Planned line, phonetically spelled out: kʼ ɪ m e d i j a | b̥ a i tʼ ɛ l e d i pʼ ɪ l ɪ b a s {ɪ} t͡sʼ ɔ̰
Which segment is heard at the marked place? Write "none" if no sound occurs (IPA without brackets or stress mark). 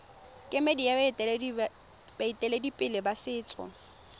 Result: ɪː